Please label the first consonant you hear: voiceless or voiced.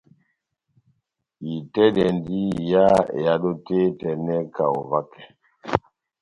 voiceless